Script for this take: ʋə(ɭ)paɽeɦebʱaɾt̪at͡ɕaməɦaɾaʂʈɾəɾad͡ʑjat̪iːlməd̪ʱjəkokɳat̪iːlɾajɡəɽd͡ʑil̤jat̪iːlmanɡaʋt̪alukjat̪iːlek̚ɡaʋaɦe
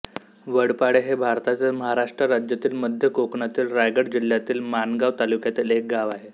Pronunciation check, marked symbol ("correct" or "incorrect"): incorrect